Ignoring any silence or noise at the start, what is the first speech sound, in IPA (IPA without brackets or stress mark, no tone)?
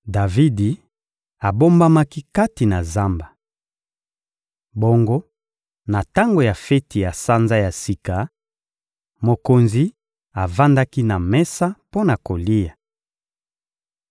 d